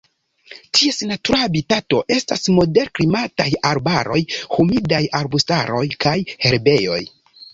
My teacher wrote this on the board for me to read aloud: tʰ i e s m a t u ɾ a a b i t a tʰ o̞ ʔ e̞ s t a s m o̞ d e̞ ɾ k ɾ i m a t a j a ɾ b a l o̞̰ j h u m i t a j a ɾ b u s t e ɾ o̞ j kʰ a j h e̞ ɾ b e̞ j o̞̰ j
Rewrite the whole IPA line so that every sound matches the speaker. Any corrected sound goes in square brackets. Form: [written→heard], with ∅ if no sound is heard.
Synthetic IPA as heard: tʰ i e s [m→n] a t u ɾ a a b i t a [tʰ→t] o̞ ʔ e̞ s t a s m o̞ d e̞ ɾ k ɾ i m a t a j a ɾ b a [l→ɾ] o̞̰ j h u m i [t→d] a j a ɾ b u s t [e→a] ɾ o̞ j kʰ a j h e̞ ɾ b e̞ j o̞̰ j